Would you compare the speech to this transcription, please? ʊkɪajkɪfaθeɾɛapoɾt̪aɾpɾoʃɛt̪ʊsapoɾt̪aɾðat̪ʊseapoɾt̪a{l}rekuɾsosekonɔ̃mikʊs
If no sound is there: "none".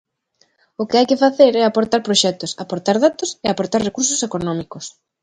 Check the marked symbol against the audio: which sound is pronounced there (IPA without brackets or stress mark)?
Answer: ɾ